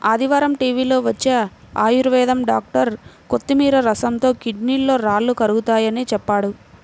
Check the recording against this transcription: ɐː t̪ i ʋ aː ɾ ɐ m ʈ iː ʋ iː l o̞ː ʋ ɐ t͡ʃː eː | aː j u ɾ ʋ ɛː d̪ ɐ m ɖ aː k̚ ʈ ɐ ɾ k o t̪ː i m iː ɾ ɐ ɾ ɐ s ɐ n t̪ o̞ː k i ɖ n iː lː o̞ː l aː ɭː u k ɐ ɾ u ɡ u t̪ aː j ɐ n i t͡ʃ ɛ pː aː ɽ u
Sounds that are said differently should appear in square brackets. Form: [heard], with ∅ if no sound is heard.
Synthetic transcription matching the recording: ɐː [d̪] i ʋ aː ɾ ɐ m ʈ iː ʋ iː l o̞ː ʋ ɐ t͡ʃː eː | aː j u ɾ ʋ ɛː d̪ ɐ m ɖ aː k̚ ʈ ɐ ɾ k o t̪ː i m iː ɾ ɐ ɾ ɐ s ɐ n t̪ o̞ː k i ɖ n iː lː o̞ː [ɾ] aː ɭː u k ɐ ɾ u ɡ u t̪ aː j ɐ n i t͡ʃ ɛ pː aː ɽ u